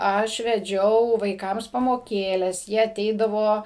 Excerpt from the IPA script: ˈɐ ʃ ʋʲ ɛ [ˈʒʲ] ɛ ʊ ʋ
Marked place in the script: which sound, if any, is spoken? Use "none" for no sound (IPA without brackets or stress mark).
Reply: d͡ʒʲ